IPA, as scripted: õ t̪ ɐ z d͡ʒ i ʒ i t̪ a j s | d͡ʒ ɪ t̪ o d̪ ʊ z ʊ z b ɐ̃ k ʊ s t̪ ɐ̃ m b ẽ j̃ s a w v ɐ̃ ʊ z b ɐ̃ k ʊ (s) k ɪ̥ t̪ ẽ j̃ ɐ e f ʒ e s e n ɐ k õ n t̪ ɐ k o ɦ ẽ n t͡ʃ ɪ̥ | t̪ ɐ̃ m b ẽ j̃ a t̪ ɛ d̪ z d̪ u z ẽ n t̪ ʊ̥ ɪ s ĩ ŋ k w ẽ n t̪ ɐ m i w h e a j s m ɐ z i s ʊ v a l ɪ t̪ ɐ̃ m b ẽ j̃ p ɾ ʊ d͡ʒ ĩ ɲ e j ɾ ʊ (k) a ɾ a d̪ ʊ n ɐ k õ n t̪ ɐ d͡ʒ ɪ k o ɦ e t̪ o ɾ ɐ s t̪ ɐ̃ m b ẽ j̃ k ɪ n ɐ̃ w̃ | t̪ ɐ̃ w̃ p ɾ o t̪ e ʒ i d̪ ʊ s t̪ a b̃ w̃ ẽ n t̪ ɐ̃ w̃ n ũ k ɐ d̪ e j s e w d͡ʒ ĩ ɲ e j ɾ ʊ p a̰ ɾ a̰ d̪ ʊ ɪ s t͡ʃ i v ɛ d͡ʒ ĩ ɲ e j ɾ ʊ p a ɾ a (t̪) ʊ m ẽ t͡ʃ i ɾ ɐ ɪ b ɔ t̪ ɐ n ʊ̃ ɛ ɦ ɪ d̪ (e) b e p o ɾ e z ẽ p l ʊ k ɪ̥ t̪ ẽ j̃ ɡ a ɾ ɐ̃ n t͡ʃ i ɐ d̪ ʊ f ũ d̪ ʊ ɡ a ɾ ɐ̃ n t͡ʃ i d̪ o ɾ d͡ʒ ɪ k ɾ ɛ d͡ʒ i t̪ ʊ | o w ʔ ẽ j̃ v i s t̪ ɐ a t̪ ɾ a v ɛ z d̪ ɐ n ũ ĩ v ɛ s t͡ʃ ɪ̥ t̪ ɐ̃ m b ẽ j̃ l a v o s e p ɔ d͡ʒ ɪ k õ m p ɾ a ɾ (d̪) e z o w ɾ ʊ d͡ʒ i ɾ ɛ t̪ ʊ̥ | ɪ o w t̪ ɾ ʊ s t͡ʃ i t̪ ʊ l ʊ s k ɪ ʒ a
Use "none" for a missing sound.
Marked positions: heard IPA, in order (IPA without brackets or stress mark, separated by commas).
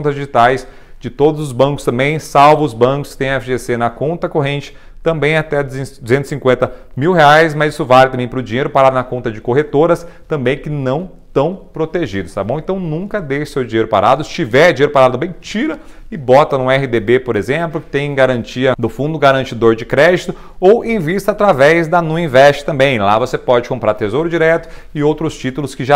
s, p, d̪, e, t̪